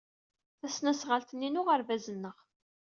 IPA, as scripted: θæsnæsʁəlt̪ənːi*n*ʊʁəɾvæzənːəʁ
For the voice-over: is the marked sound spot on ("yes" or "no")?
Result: yes